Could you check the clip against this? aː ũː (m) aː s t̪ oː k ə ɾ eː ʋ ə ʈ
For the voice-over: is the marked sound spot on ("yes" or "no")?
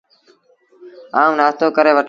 no